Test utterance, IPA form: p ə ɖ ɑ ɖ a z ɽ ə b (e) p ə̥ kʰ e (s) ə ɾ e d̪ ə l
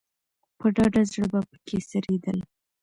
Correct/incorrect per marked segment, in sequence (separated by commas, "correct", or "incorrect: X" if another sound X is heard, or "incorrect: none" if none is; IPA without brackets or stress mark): incorrect: a, correct